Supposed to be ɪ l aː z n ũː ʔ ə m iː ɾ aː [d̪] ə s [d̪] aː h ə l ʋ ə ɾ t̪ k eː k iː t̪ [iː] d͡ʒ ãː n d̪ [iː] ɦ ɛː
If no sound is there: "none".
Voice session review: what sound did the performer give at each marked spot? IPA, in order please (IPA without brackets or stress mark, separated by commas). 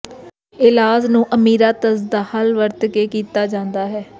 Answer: t̪, d̪, aː, aː